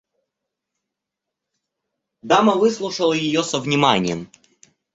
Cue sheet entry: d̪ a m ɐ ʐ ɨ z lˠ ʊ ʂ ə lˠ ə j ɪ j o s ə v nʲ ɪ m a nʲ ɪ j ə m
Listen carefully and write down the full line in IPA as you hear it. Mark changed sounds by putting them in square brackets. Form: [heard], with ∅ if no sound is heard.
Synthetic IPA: d̪ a m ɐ [v] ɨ [s] lˠ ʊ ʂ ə lˠ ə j ɪ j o s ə v nʲ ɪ m a nʲ ɪ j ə m